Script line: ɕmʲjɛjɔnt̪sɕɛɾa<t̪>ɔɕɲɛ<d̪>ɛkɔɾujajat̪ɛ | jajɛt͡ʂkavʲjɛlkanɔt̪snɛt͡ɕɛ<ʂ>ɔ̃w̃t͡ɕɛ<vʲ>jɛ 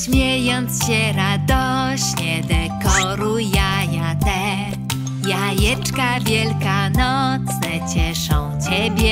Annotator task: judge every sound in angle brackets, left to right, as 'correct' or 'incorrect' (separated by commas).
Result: incorrect, correct, correct, incorrect